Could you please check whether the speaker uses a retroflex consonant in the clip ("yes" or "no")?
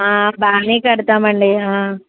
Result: yes